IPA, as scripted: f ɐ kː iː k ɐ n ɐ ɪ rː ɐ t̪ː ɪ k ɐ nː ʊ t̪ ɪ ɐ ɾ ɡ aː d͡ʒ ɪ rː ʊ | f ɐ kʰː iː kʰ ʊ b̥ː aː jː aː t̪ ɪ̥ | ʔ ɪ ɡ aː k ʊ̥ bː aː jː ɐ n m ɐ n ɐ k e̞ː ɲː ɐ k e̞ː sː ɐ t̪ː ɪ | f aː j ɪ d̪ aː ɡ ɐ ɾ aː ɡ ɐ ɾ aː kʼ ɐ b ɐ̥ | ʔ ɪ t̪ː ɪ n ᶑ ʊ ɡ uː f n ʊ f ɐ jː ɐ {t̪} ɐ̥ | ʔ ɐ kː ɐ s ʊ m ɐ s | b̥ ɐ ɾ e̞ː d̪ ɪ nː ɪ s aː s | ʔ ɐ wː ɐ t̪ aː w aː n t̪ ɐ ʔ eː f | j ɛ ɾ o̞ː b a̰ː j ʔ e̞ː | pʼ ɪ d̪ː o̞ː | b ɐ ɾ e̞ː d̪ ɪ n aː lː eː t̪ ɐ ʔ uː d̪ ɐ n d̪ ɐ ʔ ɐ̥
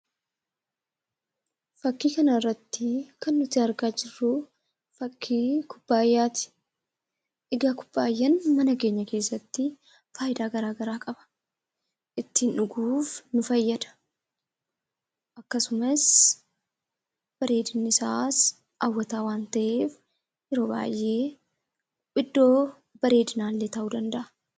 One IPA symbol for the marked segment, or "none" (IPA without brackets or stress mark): d̪